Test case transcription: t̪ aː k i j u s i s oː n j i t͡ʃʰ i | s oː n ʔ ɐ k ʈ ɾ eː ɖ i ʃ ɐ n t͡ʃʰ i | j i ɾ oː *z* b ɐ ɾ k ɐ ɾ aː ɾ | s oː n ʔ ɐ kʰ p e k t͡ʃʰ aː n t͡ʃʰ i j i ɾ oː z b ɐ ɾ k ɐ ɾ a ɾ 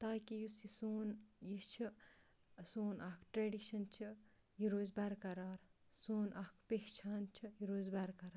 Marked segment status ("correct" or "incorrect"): correct